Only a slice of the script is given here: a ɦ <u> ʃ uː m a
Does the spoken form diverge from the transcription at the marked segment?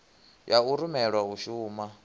no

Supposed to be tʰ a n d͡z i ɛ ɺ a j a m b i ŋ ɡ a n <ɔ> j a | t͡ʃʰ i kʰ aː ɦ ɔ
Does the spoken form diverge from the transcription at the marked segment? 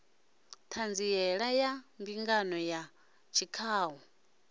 no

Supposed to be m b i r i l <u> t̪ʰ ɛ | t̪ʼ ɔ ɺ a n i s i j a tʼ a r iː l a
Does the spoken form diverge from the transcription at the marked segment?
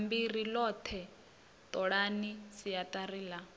yes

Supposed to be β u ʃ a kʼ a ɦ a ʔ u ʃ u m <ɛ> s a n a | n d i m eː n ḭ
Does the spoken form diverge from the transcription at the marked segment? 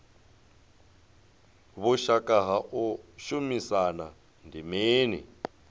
yes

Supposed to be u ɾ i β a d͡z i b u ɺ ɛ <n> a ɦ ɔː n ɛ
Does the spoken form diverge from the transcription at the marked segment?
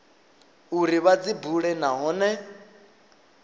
no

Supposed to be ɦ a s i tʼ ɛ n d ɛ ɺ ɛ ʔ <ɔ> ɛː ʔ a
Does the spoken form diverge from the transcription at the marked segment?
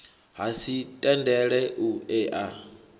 yes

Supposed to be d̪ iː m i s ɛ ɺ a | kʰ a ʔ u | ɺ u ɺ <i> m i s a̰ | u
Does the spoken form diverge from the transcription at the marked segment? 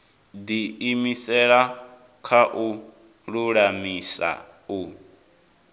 yes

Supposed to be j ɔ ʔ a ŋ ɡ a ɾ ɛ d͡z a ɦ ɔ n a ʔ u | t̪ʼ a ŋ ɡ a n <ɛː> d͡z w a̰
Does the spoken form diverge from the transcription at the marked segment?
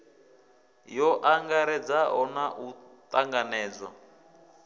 no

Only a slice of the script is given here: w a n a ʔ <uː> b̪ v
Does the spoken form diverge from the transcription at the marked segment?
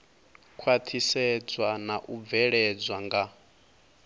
yes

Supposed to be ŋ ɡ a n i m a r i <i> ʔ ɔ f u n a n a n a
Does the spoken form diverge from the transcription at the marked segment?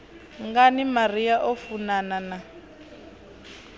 yes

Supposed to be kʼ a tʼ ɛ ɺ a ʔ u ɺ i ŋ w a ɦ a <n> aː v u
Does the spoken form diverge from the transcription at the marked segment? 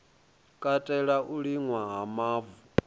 yes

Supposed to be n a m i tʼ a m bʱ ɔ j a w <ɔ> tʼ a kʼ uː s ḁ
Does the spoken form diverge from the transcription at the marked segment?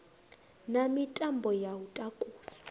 yes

